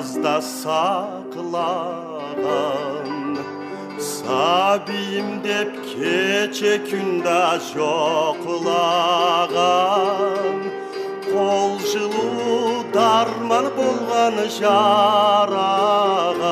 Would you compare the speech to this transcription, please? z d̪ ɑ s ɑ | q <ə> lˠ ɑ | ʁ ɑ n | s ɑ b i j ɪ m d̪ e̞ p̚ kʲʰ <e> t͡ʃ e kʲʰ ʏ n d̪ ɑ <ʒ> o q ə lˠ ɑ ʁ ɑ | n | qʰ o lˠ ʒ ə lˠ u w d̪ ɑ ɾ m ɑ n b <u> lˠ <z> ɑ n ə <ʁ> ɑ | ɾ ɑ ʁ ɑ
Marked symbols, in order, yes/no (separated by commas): yes, yes, yes, no, no, no